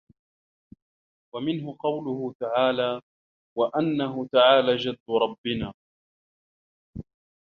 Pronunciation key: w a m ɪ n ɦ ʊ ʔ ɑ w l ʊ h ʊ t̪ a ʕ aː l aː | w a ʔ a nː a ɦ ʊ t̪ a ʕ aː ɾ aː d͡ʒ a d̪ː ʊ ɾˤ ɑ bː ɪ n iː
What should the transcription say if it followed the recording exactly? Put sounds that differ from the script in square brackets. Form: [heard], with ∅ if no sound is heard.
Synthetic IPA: w a m ɪ n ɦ ʊ [q] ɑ w l ʊ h ʊ t̪ a ʕ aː l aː | w a ʔ a nː a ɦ ʊ t̪ a ʕ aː [l] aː d͡ʒ a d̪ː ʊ ɾˤ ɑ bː ɪ n [aː]